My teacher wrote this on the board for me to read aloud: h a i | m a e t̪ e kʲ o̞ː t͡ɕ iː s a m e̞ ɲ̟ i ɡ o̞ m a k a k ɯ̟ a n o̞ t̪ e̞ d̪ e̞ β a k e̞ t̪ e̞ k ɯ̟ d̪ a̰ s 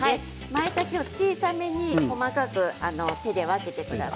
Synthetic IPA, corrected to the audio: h a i | m a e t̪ a kʲ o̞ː t͡ɕ iː s a m e̞ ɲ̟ i k o̞ m a k a k ɯ̟ a n o̞ t̪ e̞ d̪ e̞ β a k e̞ t̪ e̞ k ɯ̟ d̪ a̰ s